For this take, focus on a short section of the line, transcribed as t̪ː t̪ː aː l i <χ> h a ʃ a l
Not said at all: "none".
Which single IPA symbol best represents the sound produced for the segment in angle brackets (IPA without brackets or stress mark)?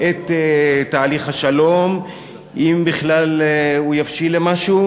χ